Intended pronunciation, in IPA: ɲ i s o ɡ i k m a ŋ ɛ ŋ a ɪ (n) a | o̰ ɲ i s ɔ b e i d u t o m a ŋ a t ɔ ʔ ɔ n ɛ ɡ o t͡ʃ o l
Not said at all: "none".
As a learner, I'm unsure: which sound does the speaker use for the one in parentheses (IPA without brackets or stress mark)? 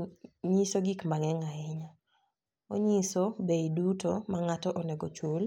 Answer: ɲ